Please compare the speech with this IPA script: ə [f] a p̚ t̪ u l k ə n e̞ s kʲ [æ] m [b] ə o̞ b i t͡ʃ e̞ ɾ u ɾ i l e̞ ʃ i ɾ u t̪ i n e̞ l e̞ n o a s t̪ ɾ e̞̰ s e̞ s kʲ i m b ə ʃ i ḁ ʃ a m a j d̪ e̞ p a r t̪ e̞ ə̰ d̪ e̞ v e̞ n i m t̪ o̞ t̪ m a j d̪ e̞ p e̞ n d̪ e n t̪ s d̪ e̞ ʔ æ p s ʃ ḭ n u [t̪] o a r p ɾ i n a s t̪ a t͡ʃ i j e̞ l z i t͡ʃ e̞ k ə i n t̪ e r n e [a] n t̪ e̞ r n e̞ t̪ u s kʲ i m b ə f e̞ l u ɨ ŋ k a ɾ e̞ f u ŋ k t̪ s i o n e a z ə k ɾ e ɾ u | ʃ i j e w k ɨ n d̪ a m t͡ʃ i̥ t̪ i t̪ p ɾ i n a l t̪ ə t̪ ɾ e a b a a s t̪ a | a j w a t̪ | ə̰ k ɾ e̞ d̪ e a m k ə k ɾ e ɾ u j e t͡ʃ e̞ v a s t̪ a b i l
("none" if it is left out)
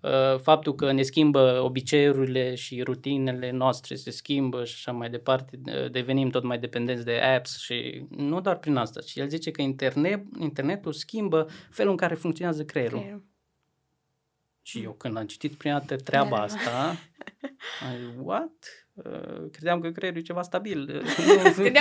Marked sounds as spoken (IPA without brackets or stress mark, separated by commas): f, i, b, d̪, i